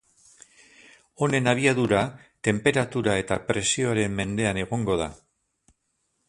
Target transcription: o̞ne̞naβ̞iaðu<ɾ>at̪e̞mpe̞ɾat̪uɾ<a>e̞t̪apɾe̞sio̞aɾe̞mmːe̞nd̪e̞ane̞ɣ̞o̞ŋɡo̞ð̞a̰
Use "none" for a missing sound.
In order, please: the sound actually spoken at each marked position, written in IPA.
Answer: ɾ, a

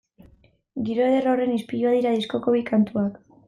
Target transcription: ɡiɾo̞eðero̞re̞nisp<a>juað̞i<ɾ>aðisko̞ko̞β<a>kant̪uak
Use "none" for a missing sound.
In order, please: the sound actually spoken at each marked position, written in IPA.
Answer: i, ɾ, i

